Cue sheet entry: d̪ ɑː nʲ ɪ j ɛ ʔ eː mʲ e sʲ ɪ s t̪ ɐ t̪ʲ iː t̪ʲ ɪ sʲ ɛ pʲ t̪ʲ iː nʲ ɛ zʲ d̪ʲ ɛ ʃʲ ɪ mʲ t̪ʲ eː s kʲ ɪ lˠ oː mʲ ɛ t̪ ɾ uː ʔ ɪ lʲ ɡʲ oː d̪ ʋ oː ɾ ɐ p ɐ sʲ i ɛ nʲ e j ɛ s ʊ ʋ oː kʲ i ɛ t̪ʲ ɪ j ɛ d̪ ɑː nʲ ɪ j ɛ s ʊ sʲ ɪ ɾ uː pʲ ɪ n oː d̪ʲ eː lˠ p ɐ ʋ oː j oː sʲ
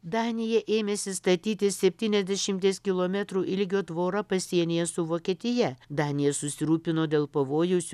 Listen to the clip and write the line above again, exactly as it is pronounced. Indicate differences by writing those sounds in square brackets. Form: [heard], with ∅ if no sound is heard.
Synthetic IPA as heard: d̪ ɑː nʲ ɪ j ɛ ʔ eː mʲ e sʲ ɪ s t̪ ɐ t̪ʲ iː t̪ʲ ɪ sʲ ɛ pʲ t̪ʲ iː nʲ ɛ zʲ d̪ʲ ɛ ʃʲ ɪ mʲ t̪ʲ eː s kʲ ɪ lˠ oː mʲ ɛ t̪ ɾ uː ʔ ɪ lʲ ɡʲ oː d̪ ʋ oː ɾ ɐ p ɐ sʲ i ɛ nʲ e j ɛ s ʊ ʋ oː kʲ i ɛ t̪ʲ ɪ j ɛ d̪ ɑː nʲ ɪ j ɛ s ʊ sʲ ɪ ɾ uː pʲ ɪ n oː d̪ʲ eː lˠ p ɐ ʋ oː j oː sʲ